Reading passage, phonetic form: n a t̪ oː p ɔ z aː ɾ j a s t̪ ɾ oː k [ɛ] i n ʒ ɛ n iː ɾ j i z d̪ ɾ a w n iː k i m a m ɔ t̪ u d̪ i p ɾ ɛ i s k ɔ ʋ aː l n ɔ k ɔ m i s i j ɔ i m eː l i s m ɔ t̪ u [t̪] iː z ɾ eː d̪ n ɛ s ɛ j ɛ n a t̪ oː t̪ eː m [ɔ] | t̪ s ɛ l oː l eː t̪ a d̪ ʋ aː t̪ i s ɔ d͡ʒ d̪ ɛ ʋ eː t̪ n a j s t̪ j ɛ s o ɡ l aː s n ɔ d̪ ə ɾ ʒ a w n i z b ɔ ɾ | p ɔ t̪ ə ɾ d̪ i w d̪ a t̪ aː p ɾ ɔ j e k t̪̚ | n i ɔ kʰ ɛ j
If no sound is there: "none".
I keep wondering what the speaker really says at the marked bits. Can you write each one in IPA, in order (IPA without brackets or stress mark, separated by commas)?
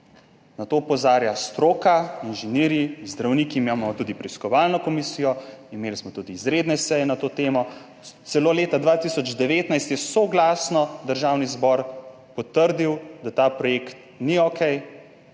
a, d̪, ɔ